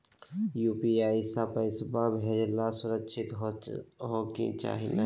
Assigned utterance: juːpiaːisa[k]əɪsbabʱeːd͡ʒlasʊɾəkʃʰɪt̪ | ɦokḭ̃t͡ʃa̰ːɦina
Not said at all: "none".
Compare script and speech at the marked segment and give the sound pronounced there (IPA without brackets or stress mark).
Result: p